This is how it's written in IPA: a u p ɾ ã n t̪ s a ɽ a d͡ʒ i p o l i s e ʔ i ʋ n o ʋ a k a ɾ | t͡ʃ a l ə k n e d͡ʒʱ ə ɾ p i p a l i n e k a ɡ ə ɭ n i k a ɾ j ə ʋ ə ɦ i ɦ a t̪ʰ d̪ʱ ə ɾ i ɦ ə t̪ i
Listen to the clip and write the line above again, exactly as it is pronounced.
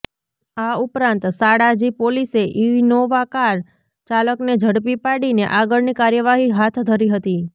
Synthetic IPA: a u p ɾ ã n t̪ s a ɽ a d͡ʒ i p o l i s e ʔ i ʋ n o ʋ a k a ɾ | t͡ʃ a l ə k n e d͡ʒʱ ə ɽ p i p a ɽ i n e ʔ a ɡ ə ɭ n i k a ɾ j ə ʋ a ɦ i ɦ a t̪ʰ d̪ʱ ə ɾ i ɦ ə t̪ i